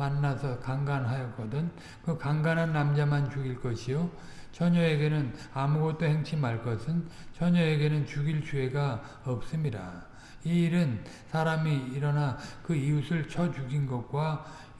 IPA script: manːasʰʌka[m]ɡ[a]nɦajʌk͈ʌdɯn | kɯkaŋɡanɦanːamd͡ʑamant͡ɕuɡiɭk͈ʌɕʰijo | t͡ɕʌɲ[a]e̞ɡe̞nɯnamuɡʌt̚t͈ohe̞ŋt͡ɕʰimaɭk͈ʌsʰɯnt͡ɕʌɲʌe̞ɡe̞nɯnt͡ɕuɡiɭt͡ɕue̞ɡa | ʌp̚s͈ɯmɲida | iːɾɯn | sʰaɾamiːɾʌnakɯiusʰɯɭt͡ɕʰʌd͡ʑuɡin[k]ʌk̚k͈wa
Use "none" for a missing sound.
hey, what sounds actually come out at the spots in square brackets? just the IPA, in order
ŋ, a, ʌ, ɡ

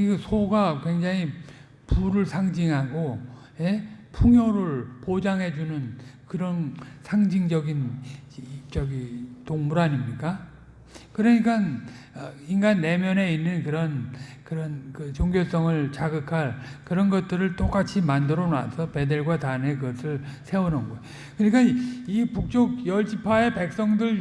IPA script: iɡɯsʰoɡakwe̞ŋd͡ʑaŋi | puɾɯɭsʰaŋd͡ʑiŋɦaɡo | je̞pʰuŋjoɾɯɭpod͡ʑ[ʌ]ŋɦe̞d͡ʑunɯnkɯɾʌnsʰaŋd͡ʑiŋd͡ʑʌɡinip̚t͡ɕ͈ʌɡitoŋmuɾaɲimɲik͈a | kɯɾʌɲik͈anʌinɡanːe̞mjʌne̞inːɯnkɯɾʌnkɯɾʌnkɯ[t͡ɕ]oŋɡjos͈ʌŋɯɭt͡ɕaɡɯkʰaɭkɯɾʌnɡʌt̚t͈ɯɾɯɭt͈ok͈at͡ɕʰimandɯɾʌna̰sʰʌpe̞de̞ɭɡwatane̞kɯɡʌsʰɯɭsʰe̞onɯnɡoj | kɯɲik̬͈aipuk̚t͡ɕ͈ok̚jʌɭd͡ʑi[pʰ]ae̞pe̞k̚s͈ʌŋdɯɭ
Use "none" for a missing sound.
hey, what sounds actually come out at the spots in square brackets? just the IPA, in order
a, t͡ɕ, pʰ

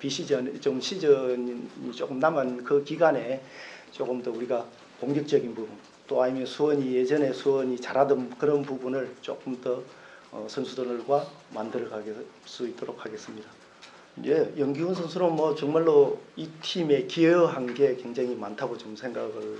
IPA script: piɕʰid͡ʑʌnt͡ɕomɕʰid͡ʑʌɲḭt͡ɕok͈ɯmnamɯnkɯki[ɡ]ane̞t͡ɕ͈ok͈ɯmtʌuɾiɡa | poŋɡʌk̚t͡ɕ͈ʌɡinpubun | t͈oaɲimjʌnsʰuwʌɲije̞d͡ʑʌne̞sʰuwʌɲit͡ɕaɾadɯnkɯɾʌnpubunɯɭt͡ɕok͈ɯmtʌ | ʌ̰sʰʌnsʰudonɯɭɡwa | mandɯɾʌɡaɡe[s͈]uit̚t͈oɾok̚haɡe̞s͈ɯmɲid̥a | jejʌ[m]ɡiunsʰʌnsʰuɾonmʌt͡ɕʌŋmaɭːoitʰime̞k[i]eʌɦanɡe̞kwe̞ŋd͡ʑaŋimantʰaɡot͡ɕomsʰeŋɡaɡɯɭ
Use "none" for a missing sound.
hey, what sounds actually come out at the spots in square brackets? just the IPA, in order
ɡ, s͈, ŋ, i

